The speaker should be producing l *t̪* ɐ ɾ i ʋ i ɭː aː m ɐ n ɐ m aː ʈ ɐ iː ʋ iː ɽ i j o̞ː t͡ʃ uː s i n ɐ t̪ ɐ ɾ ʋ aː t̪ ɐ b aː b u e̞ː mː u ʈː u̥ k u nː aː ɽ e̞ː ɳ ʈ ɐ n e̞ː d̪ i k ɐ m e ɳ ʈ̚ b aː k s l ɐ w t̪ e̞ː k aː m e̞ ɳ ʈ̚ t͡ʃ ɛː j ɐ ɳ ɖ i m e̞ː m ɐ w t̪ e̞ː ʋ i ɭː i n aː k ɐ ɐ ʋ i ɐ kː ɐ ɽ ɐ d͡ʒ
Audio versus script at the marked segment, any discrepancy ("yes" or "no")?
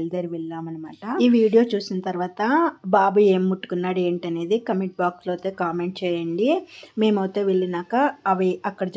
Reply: yes